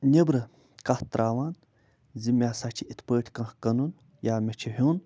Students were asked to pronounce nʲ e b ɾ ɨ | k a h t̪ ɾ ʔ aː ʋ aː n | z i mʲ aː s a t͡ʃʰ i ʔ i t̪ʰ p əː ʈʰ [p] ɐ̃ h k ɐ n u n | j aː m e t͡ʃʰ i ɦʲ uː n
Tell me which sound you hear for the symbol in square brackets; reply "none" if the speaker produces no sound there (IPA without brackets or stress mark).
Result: k